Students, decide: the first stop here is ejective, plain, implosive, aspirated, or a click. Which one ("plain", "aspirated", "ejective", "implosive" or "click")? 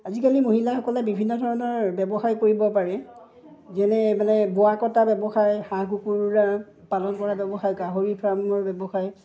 plain